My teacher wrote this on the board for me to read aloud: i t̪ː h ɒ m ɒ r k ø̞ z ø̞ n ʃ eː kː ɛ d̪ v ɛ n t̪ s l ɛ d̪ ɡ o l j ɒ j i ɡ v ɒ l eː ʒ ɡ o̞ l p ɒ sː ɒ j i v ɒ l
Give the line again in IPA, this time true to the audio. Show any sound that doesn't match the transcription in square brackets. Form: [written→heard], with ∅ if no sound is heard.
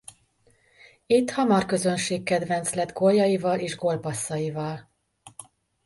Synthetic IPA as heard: i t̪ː h ɒ m ɒ r k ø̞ z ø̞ n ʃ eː kː ɛ d̪ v ɛ n t̪ s l ɛ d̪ ɡ o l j ɒ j i [ɡ→∅] v ɒ l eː ʒ ɡ o̞ l p ɒ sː ɒ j i v ɒ l